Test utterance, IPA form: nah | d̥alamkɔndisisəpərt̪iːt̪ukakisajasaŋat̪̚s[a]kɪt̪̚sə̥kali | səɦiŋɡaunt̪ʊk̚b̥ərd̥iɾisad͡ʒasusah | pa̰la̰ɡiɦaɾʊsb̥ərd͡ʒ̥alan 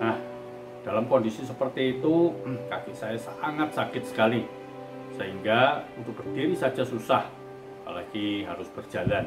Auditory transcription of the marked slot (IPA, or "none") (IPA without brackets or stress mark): a